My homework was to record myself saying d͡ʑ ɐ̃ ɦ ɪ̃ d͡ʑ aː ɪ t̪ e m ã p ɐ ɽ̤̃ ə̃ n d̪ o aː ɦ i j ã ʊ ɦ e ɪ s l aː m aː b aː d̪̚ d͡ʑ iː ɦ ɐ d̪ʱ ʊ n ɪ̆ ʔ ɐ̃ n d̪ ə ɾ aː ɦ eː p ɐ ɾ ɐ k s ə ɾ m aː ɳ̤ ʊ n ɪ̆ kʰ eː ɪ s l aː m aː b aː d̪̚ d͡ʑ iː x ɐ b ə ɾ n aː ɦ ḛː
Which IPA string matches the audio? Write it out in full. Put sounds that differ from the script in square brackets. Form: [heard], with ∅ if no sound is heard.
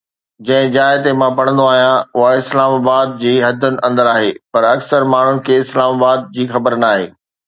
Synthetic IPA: d͡ʑ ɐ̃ ɦ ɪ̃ d͡ʑ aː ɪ t̪ e m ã p ɐ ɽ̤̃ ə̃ n d̪ o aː ɦ i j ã ʊ ɦ [a] ɪ s l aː m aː b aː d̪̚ d͡ʑ iː ɦ ɐ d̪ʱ ʊ n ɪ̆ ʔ ɐ̃ n d̪ ə ɾ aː ɦ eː p ɐ ɾ ɐ k s ə ɾ m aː ɳ̤ ʊ n ɪ̆ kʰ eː ɪ s l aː m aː b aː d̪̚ d͡ʑ iː x ɐ b ə ɾ n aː ɦ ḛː